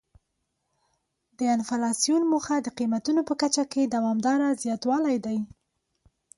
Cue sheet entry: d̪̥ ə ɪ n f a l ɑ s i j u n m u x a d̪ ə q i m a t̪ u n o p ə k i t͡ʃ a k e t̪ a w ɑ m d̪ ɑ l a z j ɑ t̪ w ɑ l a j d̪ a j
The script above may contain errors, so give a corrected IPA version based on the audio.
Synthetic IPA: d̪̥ ə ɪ n f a l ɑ s i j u n m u x a d̪ ə q i m a t̪ u n o p ə k a t͡ʃ a k e d̪ a w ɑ m d̪ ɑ ɾ a z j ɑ t̪ w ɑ l a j d̪ a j